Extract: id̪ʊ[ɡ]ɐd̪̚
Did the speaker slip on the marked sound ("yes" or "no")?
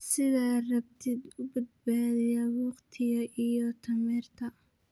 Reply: yes